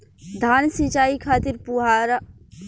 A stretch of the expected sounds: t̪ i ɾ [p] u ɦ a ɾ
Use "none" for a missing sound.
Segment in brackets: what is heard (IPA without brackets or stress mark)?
p